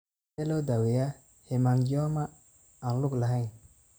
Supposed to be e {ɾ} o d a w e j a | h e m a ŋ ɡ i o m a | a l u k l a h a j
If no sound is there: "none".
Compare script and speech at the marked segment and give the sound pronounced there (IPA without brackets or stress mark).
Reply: l